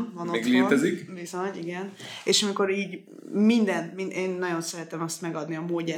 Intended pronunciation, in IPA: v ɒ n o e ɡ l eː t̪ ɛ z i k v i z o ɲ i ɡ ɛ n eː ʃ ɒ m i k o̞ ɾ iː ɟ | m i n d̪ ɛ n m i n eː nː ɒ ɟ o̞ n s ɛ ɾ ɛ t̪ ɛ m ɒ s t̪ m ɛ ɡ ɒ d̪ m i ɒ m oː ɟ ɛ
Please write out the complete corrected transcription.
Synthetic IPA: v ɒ n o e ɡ l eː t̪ ɛ z i k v i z o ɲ i ɡ ɛ n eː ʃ ɒ m i k o̞ ɾ iː ɟ | m i n d̪ ɛ n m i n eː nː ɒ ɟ o̞ n s ɛ ɾ ɛ t̪ ɛ m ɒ s t̪ m ɛ ɡ ɒ d̪ n i ɒ m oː ɟ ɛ